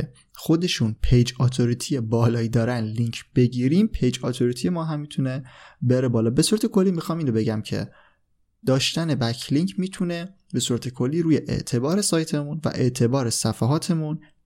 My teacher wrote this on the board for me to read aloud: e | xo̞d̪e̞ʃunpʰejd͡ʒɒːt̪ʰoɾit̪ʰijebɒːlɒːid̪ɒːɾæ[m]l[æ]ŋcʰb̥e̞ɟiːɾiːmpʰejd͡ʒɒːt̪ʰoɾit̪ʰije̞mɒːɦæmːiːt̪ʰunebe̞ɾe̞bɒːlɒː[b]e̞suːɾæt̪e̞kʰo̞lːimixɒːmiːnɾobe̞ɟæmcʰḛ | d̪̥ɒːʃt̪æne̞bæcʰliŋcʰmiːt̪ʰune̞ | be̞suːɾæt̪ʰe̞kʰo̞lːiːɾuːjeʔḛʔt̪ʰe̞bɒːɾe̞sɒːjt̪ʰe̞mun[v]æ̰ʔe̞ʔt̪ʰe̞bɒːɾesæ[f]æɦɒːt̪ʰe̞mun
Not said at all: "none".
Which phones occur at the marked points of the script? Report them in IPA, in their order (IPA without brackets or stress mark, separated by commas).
n, i, b, v, f